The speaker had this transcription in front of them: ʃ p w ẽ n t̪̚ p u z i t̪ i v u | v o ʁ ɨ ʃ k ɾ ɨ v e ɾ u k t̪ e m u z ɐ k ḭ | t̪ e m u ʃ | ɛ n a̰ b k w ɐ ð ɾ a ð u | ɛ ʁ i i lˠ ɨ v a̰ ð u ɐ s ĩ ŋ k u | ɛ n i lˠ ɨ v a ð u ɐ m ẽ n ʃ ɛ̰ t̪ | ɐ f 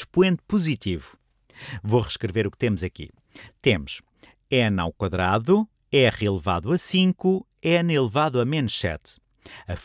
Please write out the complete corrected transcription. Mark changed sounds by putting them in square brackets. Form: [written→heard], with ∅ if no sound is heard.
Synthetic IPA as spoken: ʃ p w ẽ n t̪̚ p u z i t̪ i v u | v o ʁ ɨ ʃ k ɾ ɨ v e ɾ u k t̪ e m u z ɐ k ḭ | t̪ e m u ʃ | ɛ n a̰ [b→w] k w ɐ ð ɾ a ð u | ɛ ʁ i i lˠ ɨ v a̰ ð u ɐ s ĩ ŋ k u | ɛ n i lˠ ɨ v a ð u ɐ m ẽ n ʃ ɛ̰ t̪ | ɐ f